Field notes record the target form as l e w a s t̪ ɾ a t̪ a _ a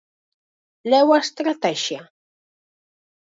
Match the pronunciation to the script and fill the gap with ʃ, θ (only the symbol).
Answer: ʃ